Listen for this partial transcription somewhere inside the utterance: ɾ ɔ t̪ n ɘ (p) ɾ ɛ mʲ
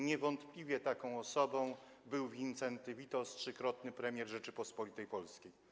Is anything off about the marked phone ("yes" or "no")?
no